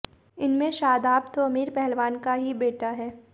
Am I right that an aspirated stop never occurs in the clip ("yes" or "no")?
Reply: yes